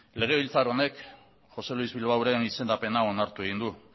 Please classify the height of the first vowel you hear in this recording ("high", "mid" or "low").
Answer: mid